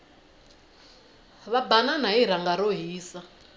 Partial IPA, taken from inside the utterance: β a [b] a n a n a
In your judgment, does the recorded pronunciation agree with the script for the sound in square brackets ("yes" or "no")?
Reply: yes